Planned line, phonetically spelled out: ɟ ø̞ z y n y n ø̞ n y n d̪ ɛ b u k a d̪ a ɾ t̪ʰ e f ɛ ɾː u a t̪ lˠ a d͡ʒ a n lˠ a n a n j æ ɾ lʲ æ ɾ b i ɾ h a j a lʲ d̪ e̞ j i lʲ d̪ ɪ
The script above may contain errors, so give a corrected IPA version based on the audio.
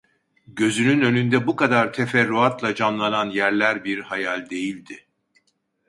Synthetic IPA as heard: ɟ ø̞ z y n y n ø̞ n y n d̪ ɛ b u k a d̪ a ɾ t̪ʰ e f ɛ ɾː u a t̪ lˠ a d͡ʒ a n lˠ a n a n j æ ɾ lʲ æ ɾ b i ɾ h a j a lʲ d̪ e̞ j i lʲ d̪ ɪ